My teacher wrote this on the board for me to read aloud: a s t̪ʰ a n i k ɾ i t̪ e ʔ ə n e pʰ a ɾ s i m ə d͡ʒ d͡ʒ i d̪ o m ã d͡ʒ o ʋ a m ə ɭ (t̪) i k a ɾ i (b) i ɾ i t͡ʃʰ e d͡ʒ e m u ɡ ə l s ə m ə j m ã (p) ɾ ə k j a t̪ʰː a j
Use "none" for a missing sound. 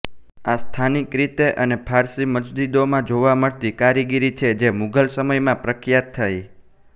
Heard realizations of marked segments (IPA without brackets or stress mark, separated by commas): t̪, ɡ, p